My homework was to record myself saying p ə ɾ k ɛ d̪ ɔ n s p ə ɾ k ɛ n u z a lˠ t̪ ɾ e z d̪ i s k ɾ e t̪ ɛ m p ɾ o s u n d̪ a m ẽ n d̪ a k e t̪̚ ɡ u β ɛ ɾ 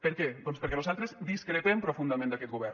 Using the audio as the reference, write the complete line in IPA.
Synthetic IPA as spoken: p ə ɾ k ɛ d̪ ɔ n s p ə ɾ k ɛ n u z a lˠ t̪ ɾ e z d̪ i s k ɾ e t̪ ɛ m p ɾ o f u n d̪ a m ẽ n d̪ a k ɛ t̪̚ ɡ u β ɛ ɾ